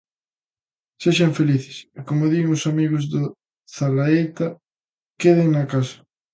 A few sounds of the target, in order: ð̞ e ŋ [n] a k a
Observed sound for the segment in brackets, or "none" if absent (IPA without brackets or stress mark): n